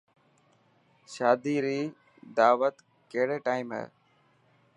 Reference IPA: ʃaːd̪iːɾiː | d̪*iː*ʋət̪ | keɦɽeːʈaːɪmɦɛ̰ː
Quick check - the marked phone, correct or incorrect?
incorrect